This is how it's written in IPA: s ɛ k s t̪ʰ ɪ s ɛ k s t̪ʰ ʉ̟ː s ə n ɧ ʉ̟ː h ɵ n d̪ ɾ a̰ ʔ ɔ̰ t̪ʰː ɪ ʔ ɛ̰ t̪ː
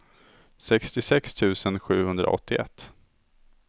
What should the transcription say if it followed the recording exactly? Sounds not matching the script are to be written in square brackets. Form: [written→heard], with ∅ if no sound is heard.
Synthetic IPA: s ɛ k s [t̪ʰ→t̪] ɪ s ɛ k s t̪ʰ ʉ̟ː s ə n ɧ ʉ̟ː h ɵ n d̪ ɾ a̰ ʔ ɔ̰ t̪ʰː ɪ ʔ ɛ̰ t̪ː